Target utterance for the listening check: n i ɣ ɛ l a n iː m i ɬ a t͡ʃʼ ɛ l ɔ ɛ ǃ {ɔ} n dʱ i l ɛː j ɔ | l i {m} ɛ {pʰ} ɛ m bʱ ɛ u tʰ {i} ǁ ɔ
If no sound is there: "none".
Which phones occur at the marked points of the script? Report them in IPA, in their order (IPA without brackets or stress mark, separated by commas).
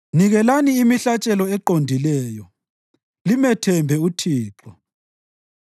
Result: o, m, tʰ, iː